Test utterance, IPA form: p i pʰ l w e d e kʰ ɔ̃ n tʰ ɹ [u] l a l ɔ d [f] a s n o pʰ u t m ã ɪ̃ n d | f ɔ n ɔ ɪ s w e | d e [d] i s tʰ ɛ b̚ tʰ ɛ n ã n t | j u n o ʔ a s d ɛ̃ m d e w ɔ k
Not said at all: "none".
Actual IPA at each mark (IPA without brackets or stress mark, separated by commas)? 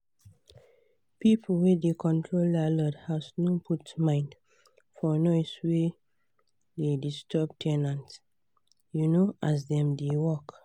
o, h, d